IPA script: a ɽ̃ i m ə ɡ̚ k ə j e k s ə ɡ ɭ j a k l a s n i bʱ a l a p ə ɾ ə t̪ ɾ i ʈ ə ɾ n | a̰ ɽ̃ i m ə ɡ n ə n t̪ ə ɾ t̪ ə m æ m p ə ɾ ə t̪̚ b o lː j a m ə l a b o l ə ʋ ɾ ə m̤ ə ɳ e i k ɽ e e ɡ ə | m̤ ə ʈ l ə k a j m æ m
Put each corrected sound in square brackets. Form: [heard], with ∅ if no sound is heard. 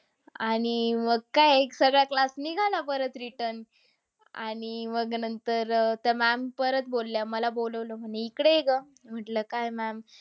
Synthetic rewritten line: a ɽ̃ i m ə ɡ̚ k [a] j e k s ə ɡ ɭ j a k l a s n i [ɡʱ] a l a p ə ɾ ə t̪ ɾ i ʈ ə ɾ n | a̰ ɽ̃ i m ə ɡ n ə n t̪ ə ɾ t̪ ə m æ m p ə ɾ ə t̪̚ b o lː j a m ə l a b o l ə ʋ [l] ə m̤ ə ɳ e i k ɽ e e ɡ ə | m̤ ə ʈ l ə k a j m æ m

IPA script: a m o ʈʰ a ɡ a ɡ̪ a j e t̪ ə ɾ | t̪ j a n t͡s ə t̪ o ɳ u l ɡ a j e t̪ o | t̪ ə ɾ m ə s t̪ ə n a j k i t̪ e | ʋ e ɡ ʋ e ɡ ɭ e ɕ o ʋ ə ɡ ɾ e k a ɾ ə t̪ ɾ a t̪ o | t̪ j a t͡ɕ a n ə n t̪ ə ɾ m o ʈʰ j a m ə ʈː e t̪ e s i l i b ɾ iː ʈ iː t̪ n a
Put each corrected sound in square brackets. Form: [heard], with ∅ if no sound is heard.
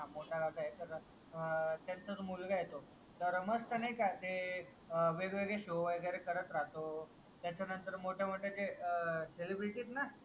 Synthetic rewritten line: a m o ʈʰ a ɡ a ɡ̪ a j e t̪ ə ɾ | t̪ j a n t͡s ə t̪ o [m] u l ɡ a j e t̪ o | t̪ ə ɾ m ə s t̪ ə n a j k [a] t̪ e | ʋ e ɡ ʋ e ɡ ɭ e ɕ o ʋ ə ɡ ɾ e k [ə] ɾ ə t̪ ɾ a t̪ o | t̪ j a t͡ɕ a n ə n t̪ ə ɾ m o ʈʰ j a m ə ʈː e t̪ e s [e] l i b ɾ [i] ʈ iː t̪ n a

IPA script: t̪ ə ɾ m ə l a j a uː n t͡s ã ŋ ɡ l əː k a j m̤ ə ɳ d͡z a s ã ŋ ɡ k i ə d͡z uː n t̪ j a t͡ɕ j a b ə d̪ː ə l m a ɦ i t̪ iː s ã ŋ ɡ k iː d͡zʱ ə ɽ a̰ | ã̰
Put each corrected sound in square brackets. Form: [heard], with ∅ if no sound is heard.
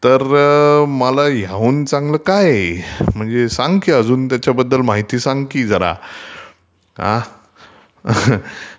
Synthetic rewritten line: t̪ ə ɾ m ə l a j a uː n t͡s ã ŋ ɡ l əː k a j m̤ ə ɳ d͡z [e] s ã ŋ ɡ k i ə d͡z uː n t̪ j a t͡ɕ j a b ə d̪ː ə l m a ɦ i t̪ iː s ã ŋ ɡ k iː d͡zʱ ə [ɾ] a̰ | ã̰

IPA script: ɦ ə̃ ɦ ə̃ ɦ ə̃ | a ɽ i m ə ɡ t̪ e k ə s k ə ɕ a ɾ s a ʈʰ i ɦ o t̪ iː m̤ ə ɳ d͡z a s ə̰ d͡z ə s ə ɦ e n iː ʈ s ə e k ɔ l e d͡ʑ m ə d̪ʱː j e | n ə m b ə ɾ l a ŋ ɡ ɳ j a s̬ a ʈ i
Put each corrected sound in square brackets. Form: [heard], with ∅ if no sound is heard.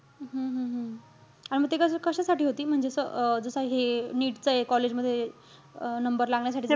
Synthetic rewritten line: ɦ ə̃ ɦ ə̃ ɦ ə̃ | a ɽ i m ə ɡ t̪ e k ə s k ə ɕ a [∅] s a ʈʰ [iː] ɦ o t̪ iː m̤ ə ɳ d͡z [e] s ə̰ d͡z ə s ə ɦ e n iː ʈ [t͡s] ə e k ɔ l e d͡ʑ m ə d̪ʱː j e | n ə m b ə ɾ l a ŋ ɡ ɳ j a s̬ a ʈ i

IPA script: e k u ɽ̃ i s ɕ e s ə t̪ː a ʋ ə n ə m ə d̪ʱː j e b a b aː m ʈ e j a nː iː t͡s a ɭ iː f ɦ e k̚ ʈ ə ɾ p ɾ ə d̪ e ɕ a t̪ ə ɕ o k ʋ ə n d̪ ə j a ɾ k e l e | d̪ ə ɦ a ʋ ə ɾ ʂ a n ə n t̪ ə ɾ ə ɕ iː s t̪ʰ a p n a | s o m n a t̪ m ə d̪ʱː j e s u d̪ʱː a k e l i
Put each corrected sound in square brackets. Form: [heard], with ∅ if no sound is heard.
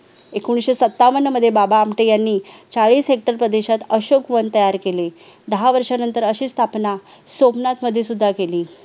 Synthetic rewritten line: e k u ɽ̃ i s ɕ e s ə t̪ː a ʋ ə n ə m ə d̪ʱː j e b a b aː m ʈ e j a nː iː t͡s a ɭ iː [s] ɦ e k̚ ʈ ə ɾ p ɾ ə d̪ e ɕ a t̪ ə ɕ o k ʋ ə n [t̪] ə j a ɾ k e l e | d̪ ə ɦ a ʋ ə ɾ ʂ a n ə n t̪ ə ɾ ə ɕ iː s t̪ʰ a p n a | s o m n a t̪ m ə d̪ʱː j e s u d̪ʱː a k e l [iː]

